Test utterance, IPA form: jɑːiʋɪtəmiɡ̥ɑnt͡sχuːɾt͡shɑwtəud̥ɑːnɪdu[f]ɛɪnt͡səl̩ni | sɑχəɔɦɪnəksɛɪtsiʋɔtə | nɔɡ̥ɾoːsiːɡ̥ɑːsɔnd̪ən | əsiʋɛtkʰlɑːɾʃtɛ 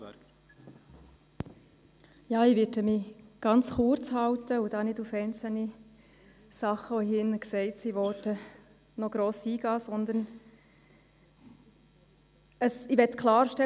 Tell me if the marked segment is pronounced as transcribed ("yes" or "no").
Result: yes